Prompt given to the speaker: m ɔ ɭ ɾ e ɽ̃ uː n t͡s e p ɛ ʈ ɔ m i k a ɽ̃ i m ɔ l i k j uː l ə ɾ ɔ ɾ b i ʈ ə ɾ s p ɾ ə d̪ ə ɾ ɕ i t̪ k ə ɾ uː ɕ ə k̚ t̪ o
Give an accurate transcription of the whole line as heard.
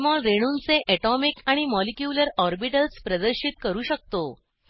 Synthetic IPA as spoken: m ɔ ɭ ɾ e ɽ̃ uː n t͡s e ʔ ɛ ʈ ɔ m i k a ɽ̃ i m ɔ l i k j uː l ə ɾ ɔ ɾ b i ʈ ə l s p ɾ ə d̪ ə ɾ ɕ i t̪ k ə ɾ uː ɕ ə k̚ t̪ o